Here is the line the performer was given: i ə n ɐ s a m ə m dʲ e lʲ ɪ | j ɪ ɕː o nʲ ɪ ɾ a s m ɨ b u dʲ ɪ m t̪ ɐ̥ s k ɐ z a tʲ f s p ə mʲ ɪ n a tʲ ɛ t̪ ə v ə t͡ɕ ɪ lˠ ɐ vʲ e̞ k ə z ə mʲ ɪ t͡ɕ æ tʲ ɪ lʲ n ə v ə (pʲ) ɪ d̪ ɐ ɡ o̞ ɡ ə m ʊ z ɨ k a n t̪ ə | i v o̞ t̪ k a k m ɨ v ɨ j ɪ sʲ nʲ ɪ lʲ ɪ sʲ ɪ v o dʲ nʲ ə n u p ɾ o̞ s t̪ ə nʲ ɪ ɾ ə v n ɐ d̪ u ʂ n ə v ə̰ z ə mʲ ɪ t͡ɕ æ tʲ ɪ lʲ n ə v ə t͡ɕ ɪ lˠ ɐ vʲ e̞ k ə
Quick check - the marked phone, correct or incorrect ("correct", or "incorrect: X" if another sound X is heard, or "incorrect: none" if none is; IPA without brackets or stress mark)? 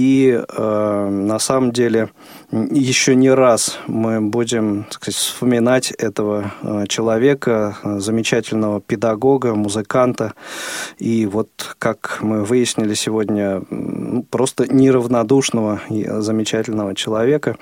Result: correct